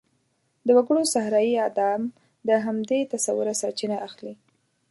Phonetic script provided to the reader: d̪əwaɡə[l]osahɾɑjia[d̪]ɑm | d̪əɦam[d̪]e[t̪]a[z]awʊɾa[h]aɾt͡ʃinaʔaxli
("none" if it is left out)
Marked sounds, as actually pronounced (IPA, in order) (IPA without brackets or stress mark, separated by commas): ɽ, d̪, d̪, t̪, s, s